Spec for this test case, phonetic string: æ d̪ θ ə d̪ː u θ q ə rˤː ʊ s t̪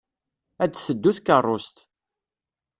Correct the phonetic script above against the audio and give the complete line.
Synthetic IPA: æ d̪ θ ə d̪ː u θ k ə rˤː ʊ s t̪